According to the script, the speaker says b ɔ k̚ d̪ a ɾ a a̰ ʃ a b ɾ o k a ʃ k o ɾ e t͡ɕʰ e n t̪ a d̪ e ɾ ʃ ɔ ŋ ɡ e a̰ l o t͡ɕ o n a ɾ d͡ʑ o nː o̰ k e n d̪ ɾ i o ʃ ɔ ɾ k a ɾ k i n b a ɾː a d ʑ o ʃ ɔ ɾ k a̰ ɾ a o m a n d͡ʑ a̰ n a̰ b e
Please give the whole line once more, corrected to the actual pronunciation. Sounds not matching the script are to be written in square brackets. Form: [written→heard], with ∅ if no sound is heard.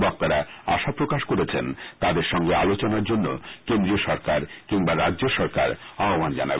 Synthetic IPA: b ɔ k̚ [d̪→t̪] a ɾ a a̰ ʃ a [b→p] ɾ o k a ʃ k o ɾ e t͡ɕʰ e n t̪ a d̪ e ɾ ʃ ɔ ŋ ɡ e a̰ l o t͡ɕ o n a ɾ d͡ʑ o nː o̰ k e n d̪ ɾ i o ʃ ɔ ɾ k a ɾ k i [n→ŋ] b a [ɾː→ɾ] a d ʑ o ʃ ɔ ɾ k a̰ ɾ a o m a n d͡ʑ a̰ n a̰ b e